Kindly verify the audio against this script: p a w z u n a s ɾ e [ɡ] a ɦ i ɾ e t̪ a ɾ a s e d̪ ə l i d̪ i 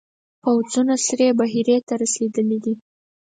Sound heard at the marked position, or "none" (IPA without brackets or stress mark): b